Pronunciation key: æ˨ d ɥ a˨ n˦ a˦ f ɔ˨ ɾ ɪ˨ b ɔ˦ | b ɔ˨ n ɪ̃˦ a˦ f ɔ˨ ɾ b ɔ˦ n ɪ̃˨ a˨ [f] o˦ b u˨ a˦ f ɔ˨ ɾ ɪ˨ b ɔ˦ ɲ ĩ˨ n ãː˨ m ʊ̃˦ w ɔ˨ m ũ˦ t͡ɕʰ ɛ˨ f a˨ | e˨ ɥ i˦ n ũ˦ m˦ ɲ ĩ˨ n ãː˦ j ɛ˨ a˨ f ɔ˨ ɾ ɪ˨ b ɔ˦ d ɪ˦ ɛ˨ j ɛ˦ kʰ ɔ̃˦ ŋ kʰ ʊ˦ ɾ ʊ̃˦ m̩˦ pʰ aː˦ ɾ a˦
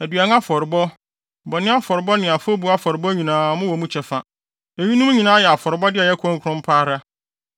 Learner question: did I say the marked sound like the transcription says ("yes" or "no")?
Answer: yes